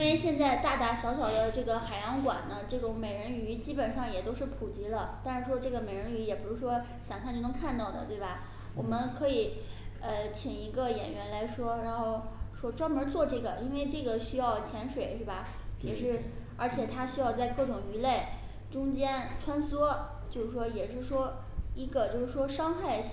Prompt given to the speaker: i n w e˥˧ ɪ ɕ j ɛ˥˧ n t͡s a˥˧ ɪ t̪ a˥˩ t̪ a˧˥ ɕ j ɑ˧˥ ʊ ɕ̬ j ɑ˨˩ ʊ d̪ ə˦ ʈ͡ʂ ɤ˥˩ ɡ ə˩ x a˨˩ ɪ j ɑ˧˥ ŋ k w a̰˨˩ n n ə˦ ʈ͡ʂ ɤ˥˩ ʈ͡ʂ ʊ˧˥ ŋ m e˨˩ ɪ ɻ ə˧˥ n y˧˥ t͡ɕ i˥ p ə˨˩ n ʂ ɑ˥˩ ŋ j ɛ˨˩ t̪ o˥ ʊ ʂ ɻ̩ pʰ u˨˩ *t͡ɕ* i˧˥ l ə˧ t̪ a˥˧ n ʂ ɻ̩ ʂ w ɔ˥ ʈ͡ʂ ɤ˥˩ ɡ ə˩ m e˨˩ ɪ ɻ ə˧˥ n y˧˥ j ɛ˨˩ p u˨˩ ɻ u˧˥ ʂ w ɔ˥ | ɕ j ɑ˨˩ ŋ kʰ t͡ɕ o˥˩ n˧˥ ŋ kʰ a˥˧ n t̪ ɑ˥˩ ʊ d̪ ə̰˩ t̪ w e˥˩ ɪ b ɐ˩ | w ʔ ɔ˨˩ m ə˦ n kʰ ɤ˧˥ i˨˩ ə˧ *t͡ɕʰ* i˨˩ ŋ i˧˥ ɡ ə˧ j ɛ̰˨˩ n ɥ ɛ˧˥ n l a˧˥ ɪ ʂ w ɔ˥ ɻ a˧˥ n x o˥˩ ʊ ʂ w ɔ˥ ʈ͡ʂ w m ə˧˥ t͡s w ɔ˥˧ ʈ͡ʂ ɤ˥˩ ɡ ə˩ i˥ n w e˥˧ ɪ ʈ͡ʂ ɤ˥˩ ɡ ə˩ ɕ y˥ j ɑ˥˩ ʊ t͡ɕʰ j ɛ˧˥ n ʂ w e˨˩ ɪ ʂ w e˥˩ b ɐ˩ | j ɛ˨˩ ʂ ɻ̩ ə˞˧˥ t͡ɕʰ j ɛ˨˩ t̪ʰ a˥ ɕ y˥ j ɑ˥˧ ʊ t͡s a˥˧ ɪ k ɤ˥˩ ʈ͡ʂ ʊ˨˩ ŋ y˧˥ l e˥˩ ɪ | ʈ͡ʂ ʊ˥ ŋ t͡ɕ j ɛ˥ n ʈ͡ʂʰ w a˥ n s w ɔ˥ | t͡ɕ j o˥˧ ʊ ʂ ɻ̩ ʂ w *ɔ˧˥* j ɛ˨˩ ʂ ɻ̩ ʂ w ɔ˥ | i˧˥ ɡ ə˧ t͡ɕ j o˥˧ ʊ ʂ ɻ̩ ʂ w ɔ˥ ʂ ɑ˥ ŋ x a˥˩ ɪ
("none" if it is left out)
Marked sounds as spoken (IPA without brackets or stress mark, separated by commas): t͡ɕ, t͡ɕʰ, ɔ˥